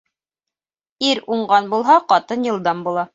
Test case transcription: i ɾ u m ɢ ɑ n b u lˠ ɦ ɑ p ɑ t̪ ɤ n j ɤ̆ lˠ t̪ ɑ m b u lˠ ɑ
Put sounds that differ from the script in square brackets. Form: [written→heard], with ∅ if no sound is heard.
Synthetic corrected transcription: i ɾ u [m→ɴ] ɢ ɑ n b u lˠ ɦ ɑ [p→q] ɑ t̪ ɤ n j ɤ̆ lˠ [t̪→d̪] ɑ m b u lˠ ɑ